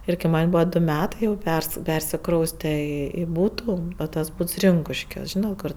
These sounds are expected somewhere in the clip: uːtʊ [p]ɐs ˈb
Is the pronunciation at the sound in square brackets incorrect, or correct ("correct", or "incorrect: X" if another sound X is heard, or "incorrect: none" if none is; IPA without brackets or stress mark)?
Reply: incorrect: t